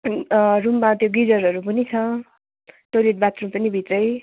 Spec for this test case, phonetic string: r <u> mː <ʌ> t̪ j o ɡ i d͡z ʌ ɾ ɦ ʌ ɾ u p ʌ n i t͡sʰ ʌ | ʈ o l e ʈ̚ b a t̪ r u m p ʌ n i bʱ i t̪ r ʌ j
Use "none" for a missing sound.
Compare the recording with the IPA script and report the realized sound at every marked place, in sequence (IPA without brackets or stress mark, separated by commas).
u, a